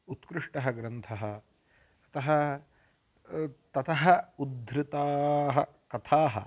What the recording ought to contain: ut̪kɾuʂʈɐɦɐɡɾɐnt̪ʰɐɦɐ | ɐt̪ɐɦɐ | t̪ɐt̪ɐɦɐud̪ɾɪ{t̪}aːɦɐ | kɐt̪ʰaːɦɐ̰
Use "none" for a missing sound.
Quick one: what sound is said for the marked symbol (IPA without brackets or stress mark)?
t̪